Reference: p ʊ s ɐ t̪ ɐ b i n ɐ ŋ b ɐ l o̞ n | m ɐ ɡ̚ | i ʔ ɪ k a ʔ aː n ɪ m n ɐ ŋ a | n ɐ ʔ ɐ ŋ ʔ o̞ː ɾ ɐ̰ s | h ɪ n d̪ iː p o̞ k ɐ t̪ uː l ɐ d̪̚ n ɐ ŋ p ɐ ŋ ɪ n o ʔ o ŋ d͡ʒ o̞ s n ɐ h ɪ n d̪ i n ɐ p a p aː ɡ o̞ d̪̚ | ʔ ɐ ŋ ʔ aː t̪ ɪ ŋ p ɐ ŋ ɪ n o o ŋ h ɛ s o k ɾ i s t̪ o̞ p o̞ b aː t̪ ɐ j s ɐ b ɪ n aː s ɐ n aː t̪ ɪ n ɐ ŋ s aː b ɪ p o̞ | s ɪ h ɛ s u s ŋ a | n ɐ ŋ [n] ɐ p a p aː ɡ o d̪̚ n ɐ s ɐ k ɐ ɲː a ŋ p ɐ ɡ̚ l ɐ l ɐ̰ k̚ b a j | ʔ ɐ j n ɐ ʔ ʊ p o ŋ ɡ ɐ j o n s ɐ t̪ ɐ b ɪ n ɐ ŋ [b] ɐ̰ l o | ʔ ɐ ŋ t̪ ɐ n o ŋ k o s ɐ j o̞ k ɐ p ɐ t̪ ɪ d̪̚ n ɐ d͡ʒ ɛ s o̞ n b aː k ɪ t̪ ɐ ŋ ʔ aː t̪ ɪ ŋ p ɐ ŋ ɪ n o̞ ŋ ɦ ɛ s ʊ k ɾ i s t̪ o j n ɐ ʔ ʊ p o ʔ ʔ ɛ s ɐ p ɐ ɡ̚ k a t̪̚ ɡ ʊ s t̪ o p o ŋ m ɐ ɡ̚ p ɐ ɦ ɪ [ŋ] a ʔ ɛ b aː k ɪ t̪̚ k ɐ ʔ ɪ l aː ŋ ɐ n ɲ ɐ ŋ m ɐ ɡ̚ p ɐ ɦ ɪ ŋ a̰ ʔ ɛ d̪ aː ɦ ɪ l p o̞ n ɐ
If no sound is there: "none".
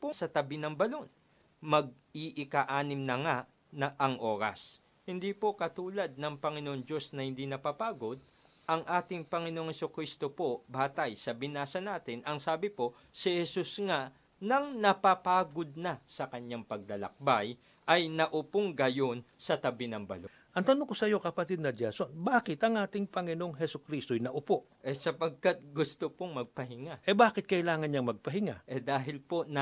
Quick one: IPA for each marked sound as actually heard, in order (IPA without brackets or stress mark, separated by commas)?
n, b, ŋ